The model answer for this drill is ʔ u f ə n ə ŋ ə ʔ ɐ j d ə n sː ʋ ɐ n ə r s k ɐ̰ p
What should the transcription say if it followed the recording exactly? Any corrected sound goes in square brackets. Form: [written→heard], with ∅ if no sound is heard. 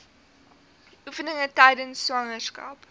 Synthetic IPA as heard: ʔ u f ə n ə ŋ ə [ʔ→t] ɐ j d ə n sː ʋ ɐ [n→ŋ] ə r s k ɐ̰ p